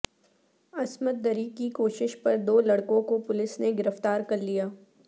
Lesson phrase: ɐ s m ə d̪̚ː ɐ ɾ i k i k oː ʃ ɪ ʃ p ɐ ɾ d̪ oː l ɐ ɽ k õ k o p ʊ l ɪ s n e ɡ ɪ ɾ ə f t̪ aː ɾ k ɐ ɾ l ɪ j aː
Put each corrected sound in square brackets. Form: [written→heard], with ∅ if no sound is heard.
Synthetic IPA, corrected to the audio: ɐ s m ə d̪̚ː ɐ ɾ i k i k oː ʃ ɪ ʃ p ɐ ɾ d̪ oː l ɐ ɽ k õ k o p ʊ l ɪ s n e ɡ ɪ ɾ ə f t̪ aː ɾ k ɐ ɾ l [ɪ→i] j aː

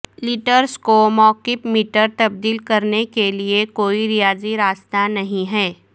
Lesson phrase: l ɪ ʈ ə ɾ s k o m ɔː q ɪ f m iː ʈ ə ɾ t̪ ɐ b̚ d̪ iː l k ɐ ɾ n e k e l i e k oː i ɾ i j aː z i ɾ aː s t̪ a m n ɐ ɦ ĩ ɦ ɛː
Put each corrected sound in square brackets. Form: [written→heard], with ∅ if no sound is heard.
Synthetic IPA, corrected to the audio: l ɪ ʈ ə ɾ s k o m ɔː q ɪ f m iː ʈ ə ɾ t̪ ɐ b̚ d̪ iː l k ɐ ɾ n e k e l i e k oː i ɾ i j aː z i ɾ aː s t̪ a [m→∅] n ɐ ɦ ĩ ɦ ɛː

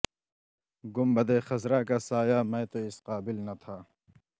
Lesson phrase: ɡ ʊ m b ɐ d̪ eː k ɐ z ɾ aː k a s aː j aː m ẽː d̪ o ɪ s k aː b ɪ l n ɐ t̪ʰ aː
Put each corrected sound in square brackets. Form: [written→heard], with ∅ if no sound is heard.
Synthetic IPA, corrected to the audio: ɡ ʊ m b ɐ d̪ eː [k→x] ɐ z ɾ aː k a s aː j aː m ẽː [d̪→t̪] o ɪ s [k→q] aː b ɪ l n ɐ t̪ʰ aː

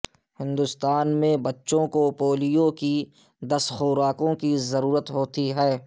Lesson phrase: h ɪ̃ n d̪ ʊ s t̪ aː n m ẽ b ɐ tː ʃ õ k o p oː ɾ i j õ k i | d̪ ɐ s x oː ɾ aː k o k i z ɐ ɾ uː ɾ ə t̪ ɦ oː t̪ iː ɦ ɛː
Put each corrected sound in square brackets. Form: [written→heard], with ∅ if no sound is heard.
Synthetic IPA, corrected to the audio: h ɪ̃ n d̪ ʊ s t̪ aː n m ẽ b ɐ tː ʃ õ k o p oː [ɾ→l] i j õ k i | d̪ ɐ s x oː ɾ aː k [o→õ] k i z ɐ ɾ uː ɾ ə t̪ ɦ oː t̪ [iː→i] ɦ ɛː

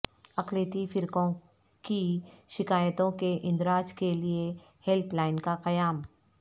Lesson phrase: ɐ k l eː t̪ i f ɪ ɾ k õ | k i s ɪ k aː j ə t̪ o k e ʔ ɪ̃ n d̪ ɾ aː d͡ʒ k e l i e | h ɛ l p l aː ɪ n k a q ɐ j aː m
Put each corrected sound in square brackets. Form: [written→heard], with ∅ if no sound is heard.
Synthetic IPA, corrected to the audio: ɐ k l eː t̪ i f ɪ ɾ k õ | k i [s→ʃ] ɪ k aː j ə t̪ [o→õ] k e ʔ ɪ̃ n d̪ ɾ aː d͡ʒ k e l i e | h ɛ l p l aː ɪ n k a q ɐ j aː m

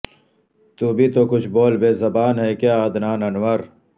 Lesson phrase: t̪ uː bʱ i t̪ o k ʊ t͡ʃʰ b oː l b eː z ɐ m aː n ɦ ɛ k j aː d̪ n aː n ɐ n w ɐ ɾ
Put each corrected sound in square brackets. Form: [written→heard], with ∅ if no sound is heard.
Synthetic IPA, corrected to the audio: t̪ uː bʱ i t̪ o k ʊ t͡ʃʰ b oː l b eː z ɐ [m→b] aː n ɦ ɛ k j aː d̪ n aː n ɐ n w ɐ ɾ

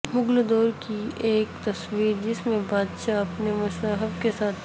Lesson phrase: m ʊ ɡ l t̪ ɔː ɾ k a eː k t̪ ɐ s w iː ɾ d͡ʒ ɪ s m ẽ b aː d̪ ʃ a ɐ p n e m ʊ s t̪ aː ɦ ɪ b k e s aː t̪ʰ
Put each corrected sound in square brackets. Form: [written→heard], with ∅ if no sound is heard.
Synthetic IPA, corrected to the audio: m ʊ ɡ l [t̪→d̪] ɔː ɾ k [a→i] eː k t̪ ɐ s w iː ɾ d͡ʒ ɪ s m ẽ b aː d̪ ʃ a ɐ p n e m ʊ s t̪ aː ɦ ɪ b k e s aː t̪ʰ

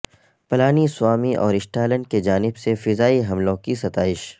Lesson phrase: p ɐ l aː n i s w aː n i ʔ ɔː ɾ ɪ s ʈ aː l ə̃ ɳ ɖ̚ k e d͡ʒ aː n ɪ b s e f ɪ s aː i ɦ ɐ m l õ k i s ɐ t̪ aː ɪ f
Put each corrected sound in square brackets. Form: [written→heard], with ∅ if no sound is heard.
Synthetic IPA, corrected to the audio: p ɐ l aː n i s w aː [n→m] i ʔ ɔː ɾ ɪ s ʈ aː l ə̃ ɳ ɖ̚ k e d͡ʒ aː n ɪ b s e f ɪ [s→z] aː i ɦ ɐ m l õ k i s ɐ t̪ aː ɪ [f→ʃ]

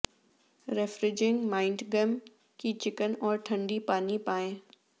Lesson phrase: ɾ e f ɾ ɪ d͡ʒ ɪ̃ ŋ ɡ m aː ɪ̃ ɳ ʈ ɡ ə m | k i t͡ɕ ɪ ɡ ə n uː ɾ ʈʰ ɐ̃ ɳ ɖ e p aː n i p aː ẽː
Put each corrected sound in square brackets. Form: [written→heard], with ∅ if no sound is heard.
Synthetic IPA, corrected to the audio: ɾ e f ɾ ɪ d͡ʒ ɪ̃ ŋ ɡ m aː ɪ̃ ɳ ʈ ɡ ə m | k i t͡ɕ ɪ [ɡ→k] ə n [uː→ɔː] ɾ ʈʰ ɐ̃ ɳ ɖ [e→i] p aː n i p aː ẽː

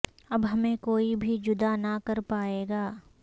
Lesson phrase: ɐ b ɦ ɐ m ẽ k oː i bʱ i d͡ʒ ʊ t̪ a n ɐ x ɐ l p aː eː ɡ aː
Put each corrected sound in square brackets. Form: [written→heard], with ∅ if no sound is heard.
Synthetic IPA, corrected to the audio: ɐ b ɦ ɐ m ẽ k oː i bʱ i d͡ʒ ʊ [t̪→d̪] a n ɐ [x→k] ɐ [l→ɾ] p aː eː ɡ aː

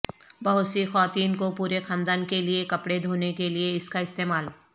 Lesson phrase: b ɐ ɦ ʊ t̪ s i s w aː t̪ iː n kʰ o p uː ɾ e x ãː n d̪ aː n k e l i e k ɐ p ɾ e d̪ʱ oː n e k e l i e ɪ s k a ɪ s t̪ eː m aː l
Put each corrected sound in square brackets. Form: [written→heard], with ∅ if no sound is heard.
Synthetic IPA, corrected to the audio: b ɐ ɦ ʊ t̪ s i [s→x] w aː t̪ iː n [kʰ→k] o p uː ɾ e x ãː n d̪ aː n k e l i e k ɐ p [ɾ→ɽ] e d̪ʱ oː n e k e l i e ɪ s k a ɪ s t̪ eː m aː l

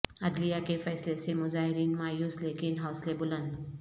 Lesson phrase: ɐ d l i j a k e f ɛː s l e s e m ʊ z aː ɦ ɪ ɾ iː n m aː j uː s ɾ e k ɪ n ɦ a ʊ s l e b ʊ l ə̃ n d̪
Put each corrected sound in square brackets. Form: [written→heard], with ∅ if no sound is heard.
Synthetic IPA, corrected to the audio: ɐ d l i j a k e f ɛː s l e s e m ʊ z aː ɦ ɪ ɾ iː n m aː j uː s [ɾ→l] e k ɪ n ɦ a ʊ s l e b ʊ l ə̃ n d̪

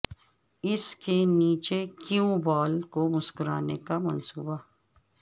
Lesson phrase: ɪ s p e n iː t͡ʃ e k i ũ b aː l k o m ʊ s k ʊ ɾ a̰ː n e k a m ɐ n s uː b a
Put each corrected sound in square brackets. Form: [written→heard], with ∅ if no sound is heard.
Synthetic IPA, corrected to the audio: ɪ s [p→k] e n iː t͡ʃ e k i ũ b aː l k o m ʊ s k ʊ ɾ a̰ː n e k a m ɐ n s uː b a

